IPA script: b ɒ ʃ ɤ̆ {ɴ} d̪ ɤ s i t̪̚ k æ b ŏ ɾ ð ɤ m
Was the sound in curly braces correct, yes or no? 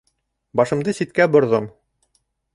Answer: no